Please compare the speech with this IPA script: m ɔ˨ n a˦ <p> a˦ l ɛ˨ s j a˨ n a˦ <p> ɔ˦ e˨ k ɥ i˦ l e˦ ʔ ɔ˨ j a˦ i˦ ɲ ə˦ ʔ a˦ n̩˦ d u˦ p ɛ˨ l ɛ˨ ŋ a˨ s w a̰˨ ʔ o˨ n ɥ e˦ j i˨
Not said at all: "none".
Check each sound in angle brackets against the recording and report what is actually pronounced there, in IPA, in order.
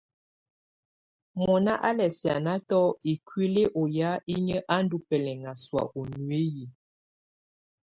ʔ, t

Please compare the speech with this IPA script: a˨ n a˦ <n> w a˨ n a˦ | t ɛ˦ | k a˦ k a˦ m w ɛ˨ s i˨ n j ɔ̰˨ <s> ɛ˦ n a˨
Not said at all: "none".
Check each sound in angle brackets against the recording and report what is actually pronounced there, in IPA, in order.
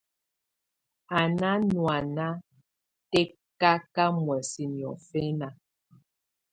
n, f

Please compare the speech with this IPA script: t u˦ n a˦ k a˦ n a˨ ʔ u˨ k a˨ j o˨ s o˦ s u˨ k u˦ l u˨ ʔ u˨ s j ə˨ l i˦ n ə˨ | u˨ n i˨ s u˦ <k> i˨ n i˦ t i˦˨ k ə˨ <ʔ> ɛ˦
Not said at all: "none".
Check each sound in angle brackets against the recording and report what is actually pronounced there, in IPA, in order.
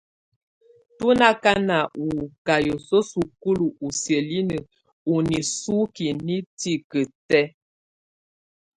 k, t

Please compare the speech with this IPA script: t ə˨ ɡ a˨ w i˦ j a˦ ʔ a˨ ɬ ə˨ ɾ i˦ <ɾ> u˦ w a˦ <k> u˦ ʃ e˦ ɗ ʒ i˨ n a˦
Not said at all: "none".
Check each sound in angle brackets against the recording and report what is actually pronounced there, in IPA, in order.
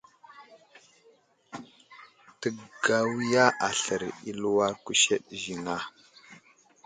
l, k

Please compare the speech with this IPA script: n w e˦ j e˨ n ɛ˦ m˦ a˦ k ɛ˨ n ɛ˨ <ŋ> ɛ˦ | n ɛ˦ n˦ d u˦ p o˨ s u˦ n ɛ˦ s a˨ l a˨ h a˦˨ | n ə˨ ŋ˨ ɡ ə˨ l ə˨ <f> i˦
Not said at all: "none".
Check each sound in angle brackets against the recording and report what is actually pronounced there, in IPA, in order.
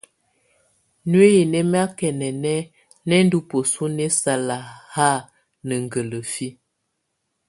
n, f

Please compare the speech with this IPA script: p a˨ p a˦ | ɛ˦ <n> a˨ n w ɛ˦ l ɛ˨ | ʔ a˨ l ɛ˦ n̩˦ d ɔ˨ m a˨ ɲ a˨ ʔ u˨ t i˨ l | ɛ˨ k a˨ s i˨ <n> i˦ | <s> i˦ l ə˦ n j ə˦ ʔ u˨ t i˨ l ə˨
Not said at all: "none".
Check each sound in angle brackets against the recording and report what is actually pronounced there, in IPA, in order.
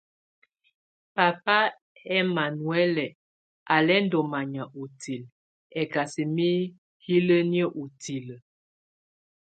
m, m, h

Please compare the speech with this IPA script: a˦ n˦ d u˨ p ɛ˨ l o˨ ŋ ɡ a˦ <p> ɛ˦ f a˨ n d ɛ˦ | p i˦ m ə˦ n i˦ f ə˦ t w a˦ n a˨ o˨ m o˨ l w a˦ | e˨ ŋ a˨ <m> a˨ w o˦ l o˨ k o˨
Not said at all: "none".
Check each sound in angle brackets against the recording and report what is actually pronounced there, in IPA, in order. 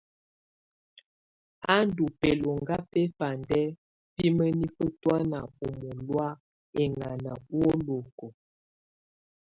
p, n

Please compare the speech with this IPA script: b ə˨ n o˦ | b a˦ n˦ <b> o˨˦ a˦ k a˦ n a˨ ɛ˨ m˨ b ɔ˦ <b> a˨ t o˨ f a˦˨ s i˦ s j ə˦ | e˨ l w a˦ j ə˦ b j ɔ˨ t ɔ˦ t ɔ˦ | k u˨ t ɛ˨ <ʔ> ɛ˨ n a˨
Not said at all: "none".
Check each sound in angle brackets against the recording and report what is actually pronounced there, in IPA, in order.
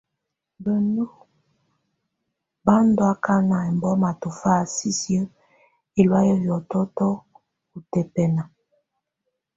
d, m, p

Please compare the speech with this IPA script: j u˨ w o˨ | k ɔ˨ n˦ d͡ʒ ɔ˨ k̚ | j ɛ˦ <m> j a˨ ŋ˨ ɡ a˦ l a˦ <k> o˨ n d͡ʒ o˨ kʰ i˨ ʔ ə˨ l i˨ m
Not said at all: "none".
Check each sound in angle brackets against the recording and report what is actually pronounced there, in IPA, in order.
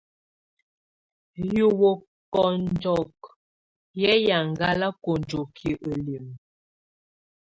none, k

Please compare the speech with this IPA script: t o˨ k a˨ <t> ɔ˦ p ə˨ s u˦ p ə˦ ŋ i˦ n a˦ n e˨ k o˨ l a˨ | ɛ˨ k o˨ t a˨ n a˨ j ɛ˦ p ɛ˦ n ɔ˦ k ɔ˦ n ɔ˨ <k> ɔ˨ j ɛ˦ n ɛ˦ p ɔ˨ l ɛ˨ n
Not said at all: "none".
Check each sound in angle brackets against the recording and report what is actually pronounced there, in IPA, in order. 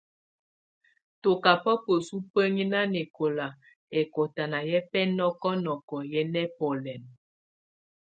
p, k

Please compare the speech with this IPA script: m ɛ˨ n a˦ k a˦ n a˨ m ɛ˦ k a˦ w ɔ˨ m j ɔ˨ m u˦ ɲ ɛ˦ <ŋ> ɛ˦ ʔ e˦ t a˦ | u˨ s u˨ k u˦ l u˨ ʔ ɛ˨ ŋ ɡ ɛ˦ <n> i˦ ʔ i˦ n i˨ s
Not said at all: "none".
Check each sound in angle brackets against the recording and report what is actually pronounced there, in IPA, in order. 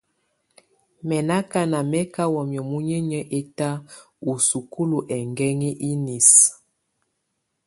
ɲ, ŋ

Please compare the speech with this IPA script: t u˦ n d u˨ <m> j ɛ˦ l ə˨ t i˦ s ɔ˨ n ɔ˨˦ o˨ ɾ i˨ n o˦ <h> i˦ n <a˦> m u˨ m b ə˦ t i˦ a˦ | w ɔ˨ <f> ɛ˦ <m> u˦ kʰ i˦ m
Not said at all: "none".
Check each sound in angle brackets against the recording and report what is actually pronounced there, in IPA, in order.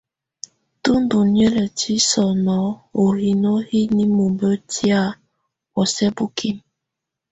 n, h, i˦, s, b

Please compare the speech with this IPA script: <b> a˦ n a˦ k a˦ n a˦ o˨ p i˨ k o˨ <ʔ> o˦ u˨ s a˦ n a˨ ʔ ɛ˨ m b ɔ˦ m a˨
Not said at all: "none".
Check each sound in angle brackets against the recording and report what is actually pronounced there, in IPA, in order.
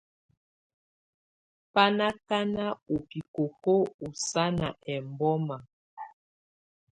p, k

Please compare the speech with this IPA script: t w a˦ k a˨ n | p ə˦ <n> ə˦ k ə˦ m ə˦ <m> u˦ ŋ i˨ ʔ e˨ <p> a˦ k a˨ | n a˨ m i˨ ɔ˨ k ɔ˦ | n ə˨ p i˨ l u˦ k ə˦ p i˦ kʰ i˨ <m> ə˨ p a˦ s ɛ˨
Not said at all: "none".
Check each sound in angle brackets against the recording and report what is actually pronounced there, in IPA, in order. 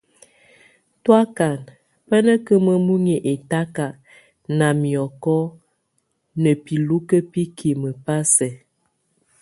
n, m, t, m

